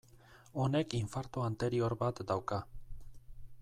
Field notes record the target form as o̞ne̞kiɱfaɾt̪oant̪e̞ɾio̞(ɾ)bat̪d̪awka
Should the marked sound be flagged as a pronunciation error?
no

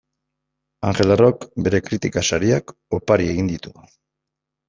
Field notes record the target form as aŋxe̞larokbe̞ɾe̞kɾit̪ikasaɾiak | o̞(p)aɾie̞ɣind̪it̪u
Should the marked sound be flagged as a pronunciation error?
no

